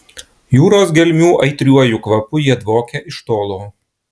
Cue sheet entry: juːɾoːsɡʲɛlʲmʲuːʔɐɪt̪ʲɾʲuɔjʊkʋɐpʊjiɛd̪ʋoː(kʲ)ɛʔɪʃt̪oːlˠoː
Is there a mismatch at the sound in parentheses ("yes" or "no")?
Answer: no